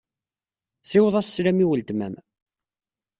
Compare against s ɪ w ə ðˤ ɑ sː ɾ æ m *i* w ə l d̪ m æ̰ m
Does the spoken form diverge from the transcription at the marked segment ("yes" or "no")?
no